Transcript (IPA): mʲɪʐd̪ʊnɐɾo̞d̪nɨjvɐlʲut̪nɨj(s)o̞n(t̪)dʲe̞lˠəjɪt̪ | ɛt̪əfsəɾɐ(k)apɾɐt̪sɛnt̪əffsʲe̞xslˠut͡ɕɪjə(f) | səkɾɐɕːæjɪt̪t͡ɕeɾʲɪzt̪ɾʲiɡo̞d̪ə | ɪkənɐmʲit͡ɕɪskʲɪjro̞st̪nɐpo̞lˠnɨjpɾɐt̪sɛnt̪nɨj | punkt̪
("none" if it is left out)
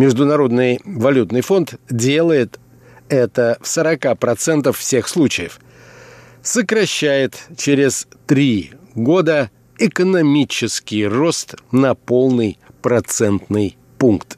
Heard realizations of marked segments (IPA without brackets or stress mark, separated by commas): f, t̪, k, f